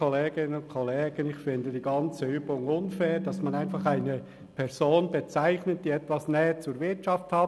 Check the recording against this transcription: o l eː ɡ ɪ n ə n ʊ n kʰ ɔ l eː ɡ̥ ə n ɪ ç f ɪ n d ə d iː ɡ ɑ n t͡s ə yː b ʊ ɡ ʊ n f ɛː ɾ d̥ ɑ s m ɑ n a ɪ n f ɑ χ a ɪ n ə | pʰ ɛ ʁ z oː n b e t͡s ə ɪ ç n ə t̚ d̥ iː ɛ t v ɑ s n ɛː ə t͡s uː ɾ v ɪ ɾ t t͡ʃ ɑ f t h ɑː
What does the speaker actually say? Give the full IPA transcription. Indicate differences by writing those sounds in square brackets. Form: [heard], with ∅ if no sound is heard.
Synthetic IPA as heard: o l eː ɡ ɪ n ə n ʊ n kʰ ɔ l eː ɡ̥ ə n ɪ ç f ɪ n d ə d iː ɡ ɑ n t͡s ə yː b ʊ [ŋ] ʊ n f ɛː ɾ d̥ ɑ s m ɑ n a ɪ n f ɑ χ a ɪ n ə | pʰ ɛ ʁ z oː n b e t͡s [a] ɪ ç n ə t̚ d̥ iː ɛ t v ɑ s n ɛː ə t͡s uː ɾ v ɪ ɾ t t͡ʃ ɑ f t h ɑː

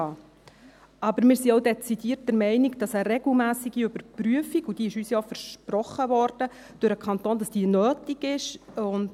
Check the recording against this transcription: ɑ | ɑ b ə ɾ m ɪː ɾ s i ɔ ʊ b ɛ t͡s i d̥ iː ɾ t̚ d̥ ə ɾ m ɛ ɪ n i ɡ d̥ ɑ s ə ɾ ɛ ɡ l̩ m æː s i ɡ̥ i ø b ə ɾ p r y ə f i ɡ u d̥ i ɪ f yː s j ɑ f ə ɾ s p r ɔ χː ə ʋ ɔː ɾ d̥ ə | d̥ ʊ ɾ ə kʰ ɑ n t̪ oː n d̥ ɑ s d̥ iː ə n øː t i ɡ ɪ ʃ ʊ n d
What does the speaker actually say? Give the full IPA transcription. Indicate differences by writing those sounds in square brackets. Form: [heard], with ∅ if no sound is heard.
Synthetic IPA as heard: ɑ | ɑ b ə ɾ m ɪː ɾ s i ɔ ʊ [d] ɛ t͡s i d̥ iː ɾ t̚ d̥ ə ɾ m ɛ ɪ n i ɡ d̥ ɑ s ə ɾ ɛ ɡ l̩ m æː s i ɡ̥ i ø b ə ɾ p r y ə f i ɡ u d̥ i ɪ [ʃ] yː s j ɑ f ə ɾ [ʃ] p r ɔ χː ə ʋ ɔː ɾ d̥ ə | d̥ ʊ ɾ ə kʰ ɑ n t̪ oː n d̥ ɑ s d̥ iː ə n øː t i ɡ ɪ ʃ ʊ n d

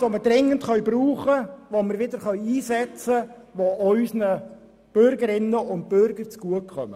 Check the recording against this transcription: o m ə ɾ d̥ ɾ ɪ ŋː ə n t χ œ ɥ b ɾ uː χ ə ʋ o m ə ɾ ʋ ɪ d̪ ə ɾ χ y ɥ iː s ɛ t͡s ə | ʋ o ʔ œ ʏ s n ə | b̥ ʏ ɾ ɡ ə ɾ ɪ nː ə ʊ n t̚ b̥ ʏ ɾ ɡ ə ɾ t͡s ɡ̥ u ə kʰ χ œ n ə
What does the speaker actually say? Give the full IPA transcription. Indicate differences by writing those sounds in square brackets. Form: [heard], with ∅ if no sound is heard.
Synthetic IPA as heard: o m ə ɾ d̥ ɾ ɪ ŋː ə n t χ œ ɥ b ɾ uː χ ə ʋ o m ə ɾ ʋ ɪ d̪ ə ɾ χ [œ] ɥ iː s ɛ t͡s ə | ʋ o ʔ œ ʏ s n ə | b̥ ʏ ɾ ɡ ə ɾ ɪ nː ə ʊ n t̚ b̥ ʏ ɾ ɡ ə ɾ t͡s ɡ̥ u ə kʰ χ œ [m] ə

